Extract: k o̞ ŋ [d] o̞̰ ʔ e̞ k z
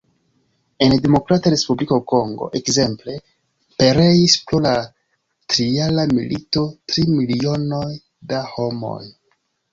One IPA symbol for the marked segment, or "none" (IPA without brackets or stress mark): ɡ